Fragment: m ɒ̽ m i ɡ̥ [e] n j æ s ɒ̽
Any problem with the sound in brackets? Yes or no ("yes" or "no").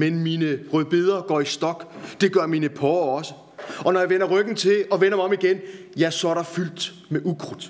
no